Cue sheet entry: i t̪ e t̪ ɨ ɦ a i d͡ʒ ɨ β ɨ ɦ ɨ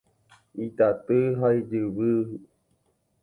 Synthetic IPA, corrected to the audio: i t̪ a t̪ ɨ ɦ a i d͡ʒ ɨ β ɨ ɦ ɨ